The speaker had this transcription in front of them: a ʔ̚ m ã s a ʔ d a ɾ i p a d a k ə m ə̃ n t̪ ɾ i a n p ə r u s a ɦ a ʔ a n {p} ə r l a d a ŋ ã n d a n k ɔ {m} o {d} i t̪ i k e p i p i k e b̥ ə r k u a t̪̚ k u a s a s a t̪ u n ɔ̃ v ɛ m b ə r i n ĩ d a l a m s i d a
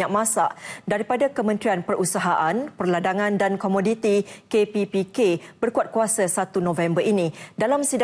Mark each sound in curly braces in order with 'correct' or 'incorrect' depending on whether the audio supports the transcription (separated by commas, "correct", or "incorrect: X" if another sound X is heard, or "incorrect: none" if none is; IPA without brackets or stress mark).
correct, correct, correct